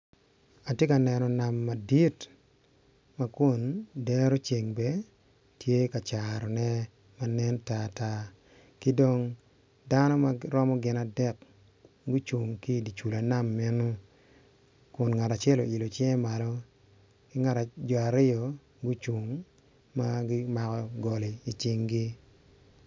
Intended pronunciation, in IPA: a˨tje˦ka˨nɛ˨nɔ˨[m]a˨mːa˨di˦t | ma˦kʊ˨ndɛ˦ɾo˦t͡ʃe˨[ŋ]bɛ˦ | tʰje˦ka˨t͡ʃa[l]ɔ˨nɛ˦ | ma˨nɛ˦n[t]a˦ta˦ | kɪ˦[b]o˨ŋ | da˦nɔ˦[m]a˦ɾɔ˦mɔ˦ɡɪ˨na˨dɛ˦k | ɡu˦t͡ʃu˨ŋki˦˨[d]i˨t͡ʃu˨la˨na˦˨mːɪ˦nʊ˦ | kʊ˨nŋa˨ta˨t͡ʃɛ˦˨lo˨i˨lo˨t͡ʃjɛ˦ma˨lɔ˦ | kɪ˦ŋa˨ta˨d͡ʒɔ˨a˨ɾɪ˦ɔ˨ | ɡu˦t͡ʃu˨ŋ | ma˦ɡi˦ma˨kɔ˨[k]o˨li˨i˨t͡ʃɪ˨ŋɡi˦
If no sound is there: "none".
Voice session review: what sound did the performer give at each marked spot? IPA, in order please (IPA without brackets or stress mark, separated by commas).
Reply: n, ŋ, ɾ, t, d, m, d, ɡ